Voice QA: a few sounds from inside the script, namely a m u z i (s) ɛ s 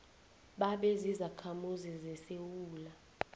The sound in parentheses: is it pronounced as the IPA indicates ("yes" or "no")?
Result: no